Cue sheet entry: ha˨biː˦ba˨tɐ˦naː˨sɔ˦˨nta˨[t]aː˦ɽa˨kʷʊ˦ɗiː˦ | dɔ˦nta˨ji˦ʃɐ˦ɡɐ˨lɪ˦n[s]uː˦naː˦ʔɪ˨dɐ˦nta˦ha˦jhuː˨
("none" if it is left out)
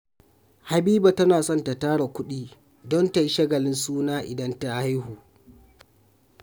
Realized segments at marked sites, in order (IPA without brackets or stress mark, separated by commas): t, s